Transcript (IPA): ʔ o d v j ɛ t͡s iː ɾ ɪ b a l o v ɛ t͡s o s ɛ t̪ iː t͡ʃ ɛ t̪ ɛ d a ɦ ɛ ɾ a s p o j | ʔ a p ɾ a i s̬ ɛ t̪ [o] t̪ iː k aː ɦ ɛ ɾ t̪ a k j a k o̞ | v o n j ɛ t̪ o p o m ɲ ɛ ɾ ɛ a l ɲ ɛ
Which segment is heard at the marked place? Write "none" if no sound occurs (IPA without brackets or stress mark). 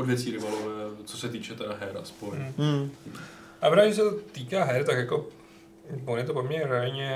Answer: o